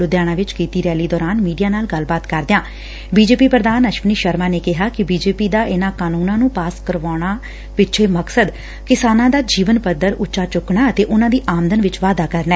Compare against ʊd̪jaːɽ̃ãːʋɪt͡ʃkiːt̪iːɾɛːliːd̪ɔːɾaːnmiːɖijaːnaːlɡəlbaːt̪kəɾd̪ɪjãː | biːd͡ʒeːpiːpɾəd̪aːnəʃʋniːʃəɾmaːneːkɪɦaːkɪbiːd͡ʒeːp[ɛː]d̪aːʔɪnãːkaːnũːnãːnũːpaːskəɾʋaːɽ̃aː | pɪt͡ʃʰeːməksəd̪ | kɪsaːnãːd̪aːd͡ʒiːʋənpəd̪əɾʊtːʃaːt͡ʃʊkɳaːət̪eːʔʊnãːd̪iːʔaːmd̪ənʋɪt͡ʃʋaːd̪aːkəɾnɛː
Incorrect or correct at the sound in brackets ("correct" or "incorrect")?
incorrect